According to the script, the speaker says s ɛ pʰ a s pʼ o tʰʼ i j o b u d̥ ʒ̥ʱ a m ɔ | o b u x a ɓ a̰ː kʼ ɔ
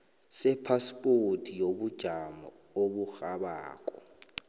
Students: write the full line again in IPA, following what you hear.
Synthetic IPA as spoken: s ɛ pʰ a s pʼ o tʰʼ i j o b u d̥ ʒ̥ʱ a m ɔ | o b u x a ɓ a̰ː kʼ ɔ